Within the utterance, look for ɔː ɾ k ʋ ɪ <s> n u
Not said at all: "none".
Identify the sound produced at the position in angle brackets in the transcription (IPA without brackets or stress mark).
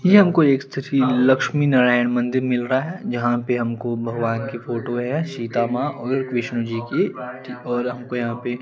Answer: ʃ